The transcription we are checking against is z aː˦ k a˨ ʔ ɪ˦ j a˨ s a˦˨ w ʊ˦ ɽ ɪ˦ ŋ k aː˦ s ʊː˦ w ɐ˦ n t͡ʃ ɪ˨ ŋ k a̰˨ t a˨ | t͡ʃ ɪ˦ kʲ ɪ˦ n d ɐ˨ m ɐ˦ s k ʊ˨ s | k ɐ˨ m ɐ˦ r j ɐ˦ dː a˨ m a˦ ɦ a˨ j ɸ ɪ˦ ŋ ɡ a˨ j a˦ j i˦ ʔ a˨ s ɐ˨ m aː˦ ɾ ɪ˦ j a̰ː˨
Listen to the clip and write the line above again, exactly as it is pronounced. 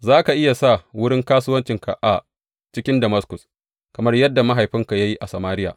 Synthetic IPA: z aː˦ k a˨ ʔ ɪ˦ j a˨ s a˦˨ w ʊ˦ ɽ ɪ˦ ŋ k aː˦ s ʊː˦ w ɐ˦ n t͡ʃ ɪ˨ ŋ k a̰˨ ʔ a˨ | t͡ʃ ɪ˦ kʲ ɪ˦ n d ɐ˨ m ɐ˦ s k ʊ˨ s | k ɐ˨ m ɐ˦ r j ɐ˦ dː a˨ m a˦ ɦ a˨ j ɸ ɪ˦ ŋ k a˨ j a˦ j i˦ ʔ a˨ s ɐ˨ m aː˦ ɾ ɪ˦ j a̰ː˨